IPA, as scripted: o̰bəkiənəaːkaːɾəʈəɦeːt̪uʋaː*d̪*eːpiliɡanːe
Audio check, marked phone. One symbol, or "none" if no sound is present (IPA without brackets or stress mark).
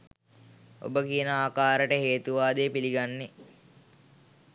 d̪